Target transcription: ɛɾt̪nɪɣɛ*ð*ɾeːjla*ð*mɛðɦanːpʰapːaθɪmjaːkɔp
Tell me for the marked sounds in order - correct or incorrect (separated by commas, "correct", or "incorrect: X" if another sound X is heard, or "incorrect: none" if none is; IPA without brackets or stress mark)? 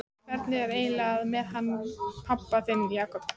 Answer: incorrect: none, correct